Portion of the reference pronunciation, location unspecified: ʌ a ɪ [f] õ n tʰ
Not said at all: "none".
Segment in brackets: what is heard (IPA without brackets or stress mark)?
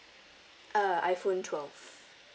f